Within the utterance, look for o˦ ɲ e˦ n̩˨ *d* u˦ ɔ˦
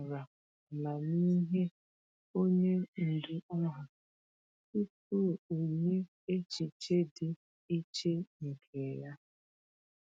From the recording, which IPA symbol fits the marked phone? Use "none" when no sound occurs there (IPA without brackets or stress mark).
d